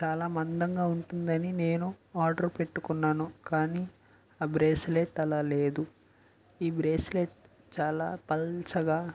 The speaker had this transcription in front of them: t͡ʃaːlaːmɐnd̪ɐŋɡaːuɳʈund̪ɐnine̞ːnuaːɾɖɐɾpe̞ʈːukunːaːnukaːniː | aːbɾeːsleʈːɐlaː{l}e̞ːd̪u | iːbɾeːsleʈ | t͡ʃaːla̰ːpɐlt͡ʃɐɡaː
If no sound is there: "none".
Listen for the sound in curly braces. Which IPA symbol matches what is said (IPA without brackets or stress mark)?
l